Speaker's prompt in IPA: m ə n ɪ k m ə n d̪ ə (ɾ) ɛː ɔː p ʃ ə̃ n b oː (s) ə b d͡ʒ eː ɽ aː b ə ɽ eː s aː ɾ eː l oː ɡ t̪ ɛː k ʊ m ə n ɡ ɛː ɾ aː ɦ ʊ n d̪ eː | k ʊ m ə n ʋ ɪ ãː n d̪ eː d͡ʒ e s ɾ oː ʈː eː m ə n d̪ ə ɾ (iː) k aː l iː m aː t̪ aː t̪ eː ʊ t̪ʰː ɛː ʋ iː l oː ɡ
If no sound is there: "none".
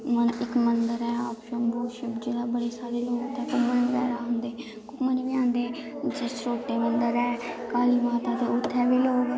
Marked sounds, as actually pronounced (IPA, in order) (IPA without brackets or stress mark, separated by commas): ɾ, ʃ, ɛː